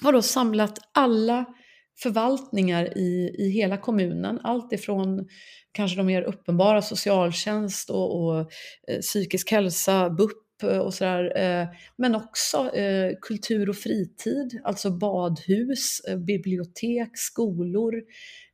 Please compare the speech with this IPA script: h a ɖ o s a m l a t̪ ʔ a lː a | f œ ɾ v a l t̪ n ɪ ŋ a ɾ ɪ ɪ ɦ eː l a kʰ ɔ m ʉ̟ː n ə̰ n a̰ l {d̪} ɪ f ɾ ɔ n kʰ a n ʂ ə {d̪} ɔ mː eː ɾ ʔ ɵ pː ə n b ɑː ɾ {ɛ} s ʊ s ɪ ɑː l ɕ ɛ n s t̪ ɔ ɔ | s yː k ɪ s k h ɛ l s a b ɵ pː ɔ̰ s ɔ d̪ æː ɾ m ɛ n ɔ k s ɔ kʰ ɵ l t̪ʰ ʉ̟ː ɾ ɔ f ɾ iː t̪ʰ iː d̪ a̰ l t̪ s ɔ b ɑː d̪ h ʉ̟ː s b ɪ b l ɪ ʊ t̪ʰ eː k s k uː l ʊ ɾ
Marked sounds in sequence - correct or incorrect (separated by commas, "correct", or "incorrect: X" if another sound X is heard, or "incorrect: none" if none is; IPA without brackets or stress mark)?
incorrect: t̪, correct, incorrect: a